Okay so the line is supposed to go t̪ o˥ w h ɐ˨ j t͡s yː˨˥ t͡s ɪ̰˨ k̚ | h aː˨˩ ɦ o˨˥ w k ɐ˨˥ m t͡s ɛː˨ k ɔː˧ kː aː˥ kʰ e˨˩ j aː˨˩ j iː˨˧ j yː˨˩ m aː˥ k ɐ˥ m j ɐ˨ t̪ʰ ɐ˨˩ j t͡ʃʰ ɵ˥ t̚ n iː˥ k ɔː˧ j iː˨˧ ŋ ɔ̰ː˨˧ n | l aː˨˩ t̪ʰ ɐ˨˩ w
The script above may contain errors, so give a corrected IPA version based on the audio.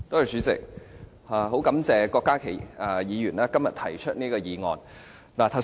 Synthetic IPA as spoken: t̪ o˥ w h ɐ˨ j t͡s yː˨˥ t͡s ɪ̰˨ k̚ | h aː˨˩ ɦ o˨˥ w k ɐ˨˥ m t͡s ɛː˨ k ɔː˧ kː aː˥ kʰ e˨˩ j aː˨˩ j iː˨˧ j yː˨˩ n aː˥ k ɐ˥ m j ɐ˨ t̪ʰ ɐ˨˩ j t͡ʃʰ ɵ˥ t̚ n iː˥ k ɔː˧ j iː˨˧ ŋ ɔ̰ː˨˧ n | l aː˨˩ t̪ʰ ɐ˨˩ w